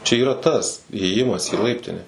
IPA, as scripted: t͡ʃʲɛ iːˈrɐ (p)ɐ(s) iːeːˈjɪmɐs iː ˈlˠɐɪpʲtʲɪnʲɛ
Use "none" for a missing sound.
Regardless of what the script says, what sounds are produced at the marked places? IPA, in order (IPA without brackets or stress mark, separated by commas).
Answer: t, s